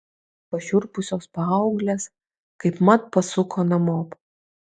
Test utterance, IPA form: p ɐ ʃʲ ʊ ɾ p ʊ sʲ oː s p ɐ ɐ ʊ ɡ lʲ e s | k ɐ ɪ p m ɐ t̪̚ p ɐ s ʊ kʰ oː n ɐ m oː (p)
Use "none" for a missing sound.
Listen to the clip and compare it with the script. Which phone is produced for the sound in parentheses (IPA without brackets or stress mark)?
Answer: p